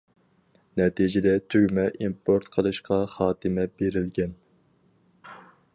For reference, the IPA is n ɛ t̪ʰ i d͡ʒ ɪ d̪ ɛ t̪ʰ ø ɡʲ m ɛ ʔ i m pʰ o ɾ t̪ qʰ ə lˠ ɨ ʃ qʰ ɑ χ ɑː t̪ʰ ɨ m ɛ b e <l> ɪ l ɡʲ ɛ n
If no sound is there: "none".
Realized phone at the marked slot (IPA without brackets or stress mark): ɾ